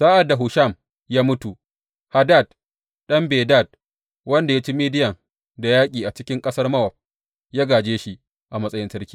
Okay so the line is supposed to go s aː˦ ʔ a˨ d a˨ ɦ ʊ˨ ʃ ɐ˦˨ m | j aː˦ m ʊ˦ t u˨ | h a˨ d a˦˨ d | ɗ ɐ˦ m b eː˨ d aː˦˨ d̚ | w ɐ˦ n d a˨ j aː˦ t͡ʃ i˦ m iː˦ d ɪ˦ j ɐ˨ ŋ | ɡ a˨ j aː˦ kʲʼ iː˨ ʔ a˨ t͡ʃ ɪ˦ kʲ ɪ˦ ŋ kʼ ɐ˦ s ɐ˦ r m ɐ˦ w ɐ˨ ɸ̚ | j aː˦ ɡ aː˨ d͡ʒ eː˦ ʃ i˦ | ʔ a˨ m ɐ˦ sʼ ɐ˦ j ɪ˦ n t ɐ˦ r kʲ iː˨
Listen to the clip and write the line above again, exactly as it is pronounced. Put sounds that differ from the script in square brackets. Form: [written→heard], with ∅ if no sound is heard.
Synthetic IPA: s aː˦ ʔ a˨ d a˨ ɦ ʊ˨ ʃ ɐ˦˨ m | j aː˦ m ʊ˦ t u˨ | h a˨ d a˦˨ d | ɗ ɐ˦ m b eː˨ d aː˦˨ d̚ | w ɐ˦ n d a˨ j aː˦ t͡ʃ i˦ m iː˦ d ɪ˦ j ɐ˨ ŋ | [ɡ→d] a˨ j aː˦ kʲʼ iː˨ ʔ a˨ t͡ʃ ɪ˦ kʲ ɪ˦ ŋ kʼ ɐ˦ s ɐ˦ r m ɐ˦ w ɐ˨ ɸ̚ | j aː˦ ɡ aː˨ d͡ʒ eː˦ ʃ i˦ | ʔ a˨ m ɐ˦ sʼ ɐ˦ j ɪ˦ n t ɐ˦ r kʲ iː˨